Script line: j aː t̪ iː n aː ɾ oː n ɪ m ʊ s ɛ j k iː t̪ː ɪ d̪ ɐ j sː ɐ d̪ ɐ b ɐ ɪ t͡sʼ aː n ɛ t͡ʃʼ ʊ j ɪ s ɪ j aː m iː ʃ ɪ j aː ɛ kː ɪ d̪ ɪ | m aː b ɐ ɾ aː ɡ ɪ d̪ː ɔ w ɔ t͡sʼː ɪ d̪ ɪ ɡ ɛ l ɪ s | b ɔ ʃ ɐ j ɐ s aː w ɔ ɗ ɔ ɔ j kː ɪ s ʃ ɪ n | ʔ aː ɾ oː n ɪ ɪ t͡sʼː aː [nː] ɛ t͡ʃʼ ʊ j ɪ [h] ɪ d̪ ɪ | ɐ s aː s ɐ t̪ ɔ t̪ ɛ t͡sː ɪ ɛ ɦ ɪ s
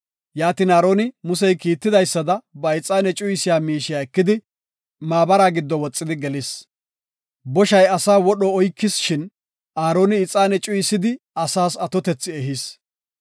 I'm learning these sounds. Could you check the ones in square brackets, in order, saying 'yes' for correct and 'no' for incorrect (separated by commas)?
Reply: no, no